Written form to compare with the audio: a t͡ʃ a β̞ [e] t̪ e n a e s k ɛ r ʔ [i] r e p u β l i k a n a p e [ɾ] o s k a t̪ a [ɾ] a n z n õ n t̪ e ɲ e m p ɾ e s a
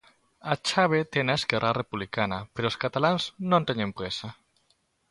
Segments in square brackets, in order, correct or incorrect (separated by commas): correct, incorrect, correct, incorrect